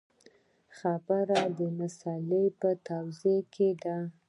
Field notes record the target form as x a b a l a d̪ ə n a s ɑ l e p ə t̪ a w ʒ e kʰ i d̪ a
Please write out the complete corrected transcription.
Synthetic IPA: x a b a ɾ a d̪ ə m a s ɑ l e p ə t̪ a w z e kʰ e d̪ a

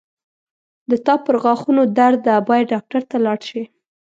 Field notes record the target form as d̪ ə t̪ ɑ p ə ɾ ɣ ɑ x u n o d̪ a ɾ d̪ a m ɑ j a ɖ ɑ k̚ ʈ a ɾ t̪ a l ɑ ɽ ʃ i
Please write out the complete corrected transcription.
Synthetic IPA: d̪ ə t̪ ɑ p ə ɾ ɣ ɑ x u n o d̪ a ɾ d̪ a b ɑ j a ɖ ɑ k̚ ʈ a ɾ t̪ a l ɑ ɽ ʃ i

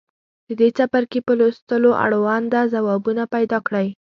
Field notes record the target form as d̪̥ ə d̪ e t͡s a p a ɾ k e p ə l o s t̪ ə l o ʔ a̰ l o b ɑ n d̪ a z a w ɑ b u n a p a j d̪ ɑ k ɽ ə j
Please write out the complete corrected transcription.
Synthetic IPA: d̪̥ ə d̪ e t͡s a p a ɾ k e p ə l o s t̪ ə l o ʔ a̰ ɽ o w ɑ n d̪ a z a w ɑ b u n a p a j d̪ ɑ k ɽ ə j

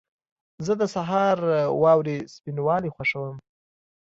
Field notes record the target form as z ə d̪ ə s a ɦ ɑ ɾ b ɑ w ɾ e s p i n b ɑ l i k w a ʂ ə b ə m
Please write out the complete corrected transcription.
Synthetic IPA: z ə d̪ ə s a ɦ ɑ ɾ w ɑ w ɾ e s p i n w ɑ l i x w a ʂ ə w ə m

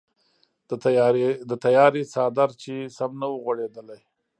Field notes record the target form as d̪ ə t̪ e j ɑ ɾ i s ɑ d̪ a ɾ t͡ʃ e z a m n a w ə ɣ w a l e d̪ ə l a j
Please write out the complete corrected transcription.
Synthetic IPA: d̪ ə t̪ a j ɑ ɾ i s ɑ d̪ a ɾ t͡ʃ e s a m n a w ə ɣ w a ɽ e d̪ ə l a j

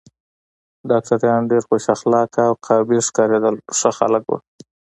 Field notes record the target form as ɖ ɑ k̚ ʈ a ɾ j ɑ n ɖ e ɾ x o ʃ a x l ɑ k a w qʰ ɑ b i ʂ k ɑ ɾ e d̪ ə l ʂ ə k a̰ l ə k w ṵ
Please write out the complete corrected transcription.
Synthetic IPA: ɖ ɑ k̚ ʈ a ɾ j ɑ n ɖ e ɾ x o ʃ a x l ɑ k a w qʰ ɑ b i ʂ k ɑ ɾ e d̪ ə l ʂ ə x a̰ l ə k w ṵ

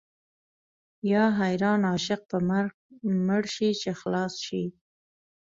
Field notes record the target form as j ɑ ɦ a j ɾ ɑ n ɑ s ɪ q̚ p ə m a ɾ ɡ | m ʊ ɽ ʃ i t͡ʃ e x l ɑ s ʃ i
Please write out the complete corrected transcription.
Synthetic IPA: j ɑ ɦ a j ɾ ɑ n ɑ ʃ ɪ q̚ p ə m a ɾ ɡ | m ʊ ɽ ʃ i t͡ʃ e x l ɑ s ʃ i

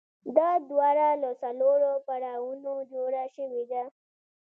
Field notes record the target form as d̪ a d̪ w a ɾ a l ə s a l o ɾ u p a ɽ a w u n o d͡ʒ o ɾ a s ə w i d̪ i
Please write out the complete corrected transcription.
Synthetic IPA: d̪ a d̪ w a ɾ a l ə s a l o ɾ o p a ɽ a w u n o d͡ʒ o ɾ a ʃ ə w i d̪ a

